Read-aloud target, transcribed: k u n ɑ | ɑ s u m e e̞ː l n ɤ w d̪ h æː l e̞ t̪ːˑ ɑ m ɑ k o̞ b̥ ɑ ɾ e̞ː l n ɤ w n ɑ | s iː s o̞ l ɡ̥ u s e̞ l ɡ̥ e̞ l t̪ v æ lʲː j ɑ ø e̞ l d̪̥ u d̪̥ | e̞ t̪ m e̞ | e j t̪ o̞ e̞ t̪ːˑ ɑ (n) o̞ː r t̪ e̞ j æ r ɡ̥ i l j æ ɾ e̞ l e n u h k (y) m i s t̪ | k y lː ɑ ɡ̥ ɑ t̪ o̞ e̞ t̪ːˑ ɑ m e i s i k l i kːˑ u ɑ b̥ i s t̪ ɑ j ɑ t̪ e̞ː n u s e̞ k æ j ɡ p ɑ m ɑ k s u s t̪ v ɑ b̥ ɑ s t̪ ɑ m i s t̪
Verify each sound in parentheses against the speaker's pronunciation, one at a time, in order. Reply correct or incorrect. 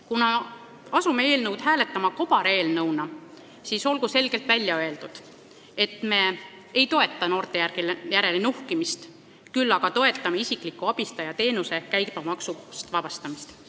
correct, incorrect

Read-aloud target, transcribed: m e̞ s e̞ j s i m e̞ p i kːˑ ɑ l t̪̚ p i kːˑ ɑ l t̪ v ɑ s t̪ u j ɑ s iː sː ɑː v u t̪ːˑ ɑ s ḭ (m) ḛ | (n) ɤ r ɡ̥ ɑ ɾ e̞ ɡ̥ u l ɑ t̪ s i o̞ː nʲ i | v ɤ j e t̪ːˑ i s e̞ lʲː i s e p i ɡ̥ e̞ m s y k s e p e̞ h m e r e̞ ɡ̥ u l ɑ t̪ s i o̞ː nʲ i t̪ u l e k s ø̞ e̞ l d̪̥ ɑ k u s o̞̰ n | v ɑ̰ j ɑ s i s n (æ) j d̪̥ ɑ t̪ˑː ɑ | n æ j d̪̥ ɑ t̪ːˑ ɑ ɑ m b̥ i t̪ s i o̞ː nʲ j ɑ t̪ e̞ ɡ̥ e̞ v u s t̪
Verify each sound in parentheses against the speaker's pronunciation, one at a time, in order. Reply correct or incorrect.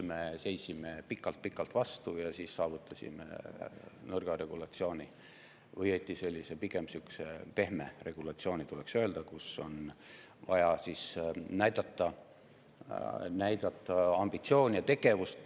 correct, correct, correct

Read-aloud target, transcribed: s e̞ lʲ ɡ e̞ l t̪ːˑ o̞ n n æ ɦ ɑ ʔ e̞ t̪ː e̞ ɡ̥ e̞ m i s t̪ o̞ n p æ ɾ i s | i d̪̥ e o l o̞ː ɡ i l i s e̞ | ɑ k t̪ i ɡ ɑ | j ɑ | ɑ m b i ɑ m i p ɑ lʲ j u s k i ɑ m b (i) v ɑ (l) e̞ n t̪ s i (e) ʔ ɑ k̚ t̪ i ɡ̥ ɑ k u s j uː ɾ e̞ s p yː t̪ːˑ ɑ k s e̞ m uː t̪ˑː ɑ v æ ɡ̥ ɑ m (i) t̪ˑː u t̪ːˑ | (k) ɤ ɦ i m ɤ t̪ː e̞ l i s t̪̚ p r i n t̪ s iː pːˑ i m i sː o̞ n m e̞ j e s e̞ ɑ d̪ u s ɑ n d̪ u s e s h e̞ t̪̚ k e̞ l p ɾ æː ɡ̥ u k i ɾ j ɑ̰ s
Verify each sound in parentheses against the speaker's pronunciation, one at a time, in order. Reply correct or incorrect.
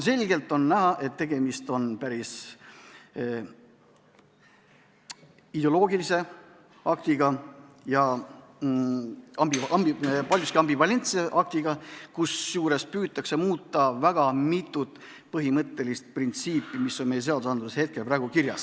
correct, correct, correct, correct, incorrect

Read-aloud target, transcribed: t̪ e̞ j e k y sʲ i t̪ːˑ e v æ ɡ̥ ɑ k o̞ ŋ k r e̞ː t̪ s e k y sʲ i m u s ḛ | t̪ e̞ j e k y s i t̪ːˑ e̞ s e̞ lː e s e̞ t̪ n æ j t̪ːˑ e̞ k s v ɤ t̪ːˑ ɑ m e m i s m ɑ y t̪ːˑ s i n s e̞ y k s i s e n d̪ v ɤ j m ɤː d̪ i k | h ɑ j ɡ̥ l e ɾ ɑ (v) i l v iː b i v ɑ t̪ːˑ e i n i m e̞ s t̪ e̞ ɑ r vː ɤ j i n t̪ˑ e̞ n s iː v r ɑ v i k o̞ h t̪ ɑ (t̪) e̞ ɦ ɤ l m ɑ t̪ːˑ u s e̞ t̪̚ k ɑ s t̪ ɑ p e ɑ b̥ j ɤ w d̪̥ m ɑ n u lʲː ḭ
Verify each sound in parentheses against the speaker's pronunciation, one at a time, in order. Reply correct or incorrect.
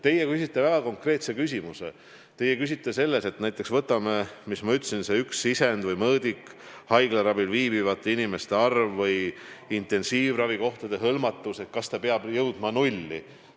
incorrect, incorrect

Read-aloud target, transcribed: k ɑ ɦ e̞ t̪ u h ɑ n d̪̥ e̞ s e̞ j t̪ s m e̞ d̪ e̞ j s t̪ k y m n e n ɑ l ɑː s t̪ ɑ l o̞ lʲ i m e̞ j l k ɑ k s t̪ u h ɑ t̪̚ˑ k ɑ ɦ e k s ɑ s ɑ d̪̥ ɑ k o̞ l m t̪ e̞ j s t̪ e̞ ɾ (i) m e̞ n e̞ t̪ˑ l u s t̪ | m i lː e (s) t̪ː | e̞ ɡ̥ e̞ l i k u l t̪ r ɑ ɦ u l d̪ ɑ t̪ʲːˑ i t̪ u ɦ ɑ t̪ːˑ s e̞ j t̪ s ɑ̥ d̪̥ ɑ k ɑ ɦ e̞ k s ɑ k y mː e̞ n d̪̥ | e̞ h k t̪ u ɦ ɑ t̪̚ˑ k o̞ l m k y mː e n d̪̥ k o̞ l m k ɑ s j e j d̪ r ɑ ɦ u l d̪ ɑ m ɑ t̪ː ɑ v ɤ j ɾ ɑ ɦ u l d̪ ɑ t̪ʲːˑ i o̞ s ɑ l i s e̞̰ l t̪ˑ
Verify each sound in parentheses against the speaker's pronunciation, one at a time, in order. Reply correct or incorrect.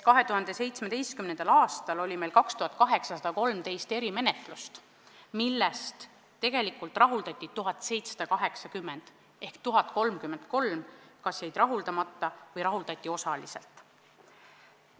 correct, correct

